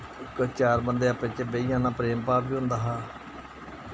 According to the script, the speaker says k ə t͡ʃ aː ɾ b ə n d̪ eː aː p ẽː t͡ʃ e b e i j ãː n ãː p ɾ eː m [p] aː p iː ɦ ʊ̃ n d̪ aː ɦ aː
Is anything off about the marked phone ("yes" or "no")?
no